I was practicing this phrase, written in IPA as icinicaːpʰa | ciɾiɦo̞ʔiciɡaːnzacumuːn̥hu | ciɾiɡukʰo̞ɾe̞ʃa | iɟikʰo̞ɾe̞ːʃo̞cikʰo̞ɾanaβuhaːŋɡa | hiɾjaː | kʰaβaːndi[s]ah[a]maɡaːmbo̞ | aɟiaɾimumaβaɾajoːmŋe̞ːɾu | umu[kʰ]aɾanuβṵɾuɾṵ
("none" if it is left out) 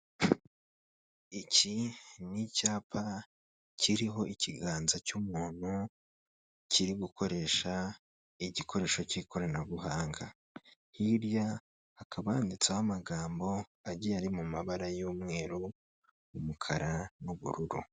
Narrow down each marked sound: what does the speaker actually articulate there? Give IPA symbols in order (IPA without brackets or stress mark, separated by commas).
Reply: t͡s, a, kʰ